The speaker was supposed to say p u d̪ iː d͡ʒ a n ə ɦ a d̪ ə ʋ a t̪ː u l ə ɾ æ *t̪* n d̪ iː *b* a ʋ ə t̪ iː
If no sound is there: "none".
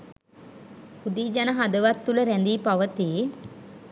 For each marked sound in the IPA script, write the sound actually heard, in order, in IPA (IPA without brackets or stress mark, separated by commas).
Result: none, p